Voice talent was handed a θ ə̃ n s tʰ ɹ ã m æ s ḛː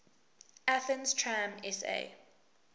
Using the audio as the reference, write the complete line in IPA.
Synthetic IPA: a θ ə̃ n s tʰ ɹ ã m ɛ s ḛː